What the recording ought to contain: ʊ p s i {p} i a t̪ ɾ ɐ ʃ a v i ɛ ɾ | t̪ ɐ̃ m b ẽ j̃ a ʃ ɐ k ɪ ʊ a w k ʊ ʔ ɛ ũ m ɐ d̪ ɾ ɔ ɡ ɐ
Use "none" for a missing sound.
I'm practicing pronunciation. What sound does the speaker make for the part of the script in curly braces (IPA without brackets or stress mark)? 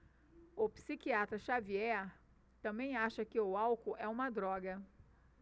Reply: k